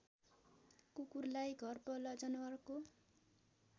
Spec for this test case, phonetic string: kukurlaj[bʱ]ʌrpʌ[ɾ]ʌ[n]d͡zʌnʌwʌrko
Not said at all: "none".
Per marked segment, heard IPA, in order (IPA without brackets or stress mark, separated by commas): ɡʱ, l, none